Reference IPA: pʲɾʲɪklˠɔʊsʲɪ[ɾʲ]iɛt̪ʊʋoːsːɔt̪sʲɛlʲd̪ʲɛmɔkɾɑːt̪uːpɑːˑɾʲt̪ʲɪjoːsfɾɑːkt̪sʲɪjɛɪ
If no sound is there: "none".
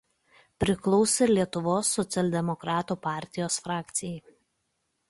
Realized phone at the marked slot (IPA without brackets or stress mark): lʲ